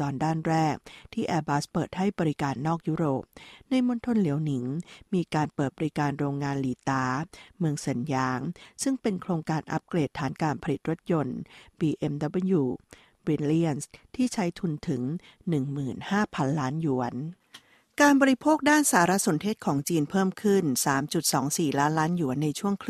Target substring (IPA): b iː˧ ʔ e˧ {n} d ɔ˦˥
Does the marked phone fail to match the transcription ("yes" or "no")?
yes